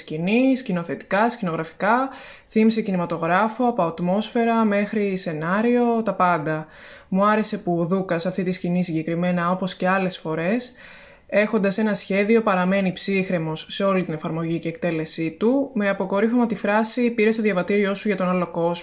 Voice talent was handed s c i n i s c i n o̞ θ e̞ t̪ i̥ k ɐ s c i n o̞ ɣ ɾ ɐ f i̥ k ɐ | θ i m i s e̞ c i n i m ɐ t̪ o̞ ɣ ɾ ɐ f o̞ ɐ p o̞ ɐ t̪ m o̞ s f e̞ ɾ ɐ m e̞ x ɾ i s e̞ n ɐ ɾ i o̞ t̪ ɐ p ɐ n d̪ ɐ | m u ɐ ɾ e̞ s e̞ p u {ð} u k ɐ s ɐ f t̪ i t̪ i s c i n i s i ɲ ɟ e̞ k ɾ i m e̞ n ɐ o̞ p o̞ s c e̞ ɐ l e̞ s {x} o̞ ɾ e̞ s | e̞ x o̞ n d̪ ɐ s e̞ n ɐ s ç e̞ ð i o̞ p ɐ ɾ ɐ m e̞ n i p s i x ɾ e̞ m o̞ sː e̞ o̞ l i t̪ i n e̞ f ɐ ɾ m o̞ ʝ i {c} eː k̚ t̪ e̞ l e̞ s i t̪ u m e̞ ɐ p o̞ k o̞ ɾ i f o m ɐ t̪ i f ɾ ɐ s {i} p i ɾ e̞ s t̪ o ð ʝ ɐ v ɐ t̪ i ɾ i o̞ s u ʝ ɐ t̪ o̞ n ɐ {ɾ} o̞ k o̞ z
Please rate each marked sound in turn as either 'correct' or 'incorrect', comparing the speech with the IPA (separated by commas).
correct, incorrect, correct, correct, incorrect